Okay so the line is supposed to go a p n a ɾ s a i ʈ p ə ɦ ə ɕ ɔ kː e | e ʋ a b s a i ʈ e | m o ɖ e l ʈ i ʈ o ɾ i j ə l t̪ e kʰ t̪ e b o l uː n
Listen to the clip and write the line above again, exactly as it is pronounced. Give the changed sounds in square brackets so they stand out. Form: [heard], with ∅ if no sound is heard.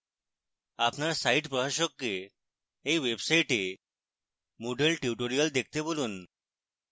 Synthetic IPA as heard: a p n a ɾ s a i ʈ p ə ɦ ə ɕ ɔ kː e | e ʋ [e] b s a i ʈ e | m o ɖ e l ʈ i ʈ o ɾ i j ə l [d̪] e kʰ t̪ e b o l uː n

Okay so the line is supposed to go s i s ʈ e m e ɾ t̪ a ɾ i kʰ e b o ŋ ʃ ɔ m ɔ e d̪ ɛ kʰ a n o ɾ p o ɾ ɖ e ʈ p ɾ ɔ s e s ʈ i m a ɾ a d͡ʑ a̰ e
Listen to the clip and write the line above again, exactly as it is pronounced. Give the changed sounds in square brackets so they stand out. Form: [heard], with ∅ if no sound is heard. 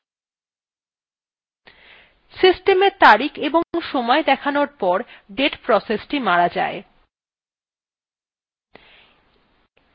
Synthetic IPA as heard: s i s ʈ e m e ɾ t̪ a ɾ i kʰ e b o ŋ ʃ ɔ m ɔ e d̪ ɛ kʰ a n o ɾ p [ɔ] ɾ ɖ e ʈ p ɾ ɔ s e s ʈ i m a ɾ a d͡ʑ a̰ e

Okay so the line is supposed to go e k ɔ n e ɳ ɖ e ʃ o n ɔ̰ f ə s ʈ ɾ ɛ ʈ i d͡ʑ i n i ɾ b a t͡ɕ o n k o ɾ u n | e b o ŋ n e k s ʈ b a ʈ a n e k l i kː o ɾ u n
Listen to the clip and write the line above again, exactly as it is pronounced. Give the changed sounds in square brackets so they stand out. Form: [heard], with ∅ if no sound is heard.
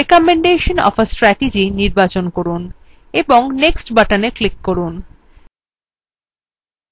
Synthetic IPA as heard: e k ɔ [m] e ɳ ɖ e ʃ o n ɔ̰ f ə s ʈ ɾ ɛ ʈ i d͡ʑ i n i ɾ b a t͡ɕ o n k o ɾ u n | e b o ŋ n e k s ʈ b a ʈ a n e k l i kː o ɾ u n

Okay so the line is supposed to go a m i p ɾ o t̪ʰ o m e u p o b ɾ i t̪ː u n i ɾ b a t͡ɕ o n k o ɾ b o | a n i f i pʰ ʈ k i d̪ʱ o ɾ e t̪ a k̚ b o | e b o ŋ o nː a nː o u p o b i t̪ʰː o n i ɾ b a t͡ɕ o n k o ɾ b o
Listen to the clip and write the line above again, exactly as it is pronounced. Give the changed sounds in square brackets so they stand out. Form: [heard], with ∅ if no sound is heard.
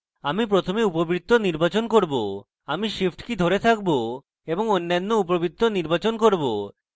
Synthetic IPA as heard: a m i p ɾ o t̪ʰ o m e u p o b ɾ i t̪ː [o] n i ɾ b a t͡ɕ o n k o ɾ b o | a [m] i [ʃ] i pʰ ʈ k i d̪ʱ o ɾ e [t̪ʰ] a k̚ b o | e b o ŋ o nː a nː o u p o b i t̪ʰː o n i ɾ b a t͡ɕ o n k o ɾ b o

